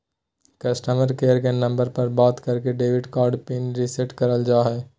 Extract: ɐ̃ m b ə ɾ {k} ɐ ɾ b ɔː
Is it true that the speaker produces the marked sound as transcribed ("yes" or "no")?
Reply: no